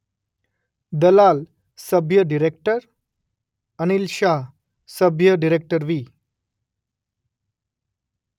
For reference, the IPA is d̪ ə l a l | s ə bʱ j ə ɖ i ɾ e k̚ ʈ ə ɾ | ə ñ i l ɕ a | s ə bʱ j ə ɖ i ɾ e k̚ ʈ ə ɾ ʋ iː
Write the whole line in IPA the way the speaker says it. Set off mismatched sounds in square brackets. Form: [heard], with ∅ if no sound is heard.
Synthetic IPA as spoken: d̪ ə l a l | s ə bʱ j ə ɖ i ɾ e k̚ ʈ ə ɾ | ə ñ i l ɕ a | s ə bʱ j ə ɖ i ɾ e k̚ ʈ ə ɾ ʋ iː